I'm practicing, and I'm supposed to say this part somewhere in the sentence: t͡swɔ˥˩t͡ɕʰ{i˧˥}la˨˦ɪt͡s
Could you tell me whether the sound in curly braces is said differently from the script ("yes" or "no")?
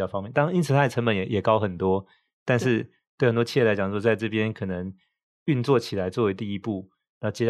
yes